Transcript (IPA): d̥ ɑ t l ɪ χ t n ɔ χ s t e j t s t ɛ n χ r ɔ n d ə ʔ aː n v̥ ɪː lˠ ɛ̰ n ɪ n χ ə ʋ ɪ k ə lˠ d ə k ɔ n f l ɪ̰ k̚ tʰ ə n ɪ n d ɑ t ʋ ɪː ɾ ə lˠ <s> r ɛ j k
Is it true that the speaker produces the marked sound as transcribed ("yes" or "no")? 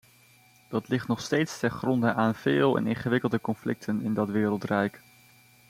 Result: no